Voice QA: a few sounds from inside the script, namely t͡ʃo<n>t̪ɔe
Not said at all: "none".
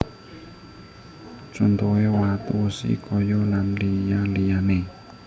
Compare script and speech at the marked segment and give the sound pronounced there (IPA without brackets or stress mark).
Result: n